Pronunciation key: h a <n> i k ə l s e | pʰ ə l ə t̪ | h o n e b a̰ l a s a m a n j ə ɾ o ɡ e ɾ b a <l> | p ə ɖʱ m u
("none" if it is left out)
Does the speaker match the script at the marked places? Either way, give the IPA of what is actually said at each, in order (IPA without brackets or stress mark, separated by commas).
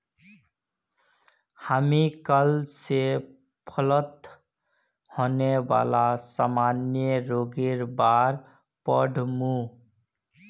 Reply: m, ɾ